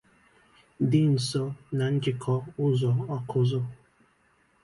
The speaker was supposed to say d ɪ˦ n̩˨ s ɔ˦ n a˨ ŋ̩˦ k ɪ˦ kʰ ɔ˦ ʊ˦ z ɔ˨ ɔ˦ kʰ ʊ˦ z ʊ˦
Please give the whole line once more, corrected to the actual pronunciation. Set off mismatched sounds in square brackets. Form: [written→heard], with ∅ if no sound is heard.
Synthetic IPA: d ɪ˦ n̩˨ s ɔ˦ n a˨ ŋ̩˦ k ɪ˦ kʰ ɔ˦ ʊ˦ z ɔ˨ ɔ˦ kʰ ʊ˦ z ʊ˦